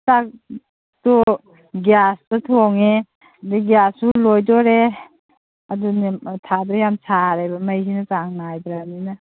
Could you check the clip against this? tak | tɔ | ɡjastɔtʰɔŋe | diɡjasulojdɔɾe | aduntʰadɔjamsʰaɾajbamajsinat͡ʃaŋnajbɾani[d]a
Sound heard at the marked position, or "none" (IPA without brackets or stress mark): n